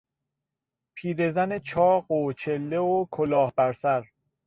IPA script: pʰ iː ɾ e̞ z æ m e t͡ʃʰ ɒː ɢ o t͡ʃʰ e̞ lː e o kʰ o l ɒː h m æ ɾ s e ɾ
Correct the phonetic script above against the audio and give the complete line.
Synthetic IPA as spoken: pʰ iː ɾ e̞ z æ n e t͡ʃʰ ɒː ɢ o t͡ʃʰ e̞ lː e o kʰ o l ɒː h b æ ɾ s æ ɾ

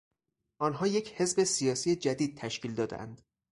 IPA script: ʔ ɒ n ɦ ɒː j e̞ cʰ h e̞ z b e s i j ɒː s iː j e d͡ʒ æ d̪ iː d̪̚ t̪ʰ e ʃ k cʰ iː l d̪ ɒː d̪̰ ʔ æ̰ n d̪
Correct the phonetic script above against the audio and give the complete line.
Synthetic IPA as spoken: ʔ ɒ n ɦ ɒː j e̞ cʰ h e̞ z b e s i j ɒː s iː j e d͡ʒ æ d̪ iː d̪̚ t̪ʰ æ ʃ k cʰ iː l d̪ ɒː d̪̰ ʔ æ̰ n d̪

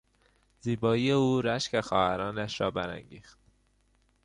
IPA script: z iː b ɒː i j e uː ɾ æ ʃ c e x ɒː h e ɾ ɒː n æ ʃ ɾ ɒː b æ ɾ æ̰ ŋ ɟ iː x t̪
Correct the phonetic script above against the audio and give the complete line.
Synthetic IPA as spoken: z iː b ɒː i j e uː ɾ æ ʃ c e x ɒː h æ ɾ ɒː n æ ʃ ɾ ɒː b æ ɾ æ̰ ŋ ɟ iː x t̪

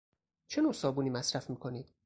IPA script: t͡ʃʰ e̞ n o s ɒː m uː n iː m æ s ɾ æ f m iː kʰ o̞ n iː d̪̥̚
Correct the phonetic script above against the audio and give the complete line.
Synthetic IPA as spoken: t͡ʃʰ e̞ n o s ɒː b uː n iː m æ s ɾ æ f m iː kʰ o̞ n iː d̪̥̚

